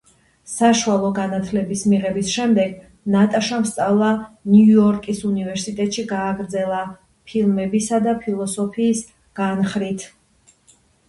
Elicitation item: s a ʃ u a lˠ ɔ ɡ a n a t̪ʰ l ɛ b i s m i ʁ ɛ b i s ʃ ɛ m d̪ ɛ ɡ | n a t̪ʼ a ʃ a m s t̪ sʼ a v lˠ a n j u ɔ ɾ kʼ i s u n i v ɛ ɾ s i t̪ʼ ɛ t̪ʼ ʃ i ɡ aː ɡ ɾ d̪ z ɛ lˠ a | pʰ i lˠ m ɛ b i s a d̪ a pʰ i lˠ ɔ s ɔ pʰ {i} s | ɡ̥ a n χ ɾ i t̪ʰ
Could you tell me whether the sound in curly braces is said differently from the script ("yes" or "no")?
yes